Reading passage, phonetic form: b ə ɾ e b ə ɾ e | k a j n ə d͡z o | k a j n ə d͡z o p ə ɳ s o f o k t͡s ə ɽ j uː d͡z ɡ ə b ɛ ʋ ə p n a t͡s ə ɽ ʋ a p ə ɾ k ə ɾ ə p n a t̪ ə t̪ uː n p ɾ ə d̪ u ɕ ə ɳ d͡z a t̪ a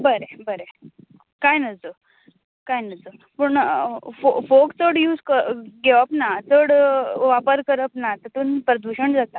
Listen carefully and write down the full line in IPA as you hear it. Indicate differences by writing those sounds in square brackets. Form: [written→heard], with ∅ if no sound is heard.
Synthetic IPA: b ə ɾ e b ə ɾ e | k a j n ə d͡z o | k a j n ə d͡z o p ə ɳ [s→f] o f o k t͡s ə ɽ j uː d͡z [ɡ→k] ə [b→ɡ] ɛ ʋ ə p n a t͡s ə ɽ ʋ a p ə ɾ k ə ɾ ə p n a t̪ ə t̪ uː n p ɾ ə d̪ u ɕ ə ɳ d͡z a t̪ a